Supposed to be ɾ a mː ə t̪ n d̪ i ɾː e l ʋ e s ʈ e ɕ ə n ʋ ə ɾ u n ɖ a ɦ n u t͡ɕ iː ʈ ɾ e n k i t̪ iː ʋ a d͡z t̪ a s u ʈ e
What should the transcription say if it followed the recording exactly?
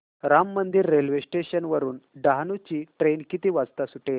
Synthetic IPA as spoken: ɾ a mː ə n d̪ i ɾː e l ʋ e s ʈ e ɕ ə n ʋ ə ɾ uː n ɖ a ɦ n u t͡ɕ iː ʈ ɾ e n k i t̪ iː ʋ a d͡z t̪ a s u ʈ e